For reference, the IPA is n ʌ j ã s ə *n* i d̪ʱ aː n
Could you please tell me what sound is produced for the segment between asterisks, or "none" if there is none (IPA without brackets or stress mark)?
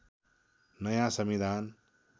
m